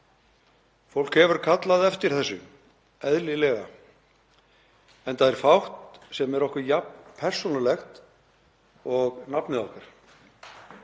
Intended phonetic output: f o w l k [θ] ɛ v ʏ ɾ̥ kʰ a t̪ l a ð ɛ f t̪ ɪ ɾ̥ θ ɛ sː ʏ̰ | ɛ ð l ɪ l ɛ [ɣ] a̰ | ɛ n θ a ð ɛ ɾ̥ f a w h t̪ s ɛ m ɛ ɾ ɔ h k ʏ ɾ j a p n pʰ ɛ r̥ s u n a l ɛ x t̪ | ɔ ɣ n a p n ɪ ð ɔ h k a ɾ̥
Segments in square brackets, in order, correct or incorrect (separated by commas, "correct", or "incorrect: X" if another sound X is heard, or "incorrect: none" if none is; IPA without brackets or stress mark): incorrect: h, correct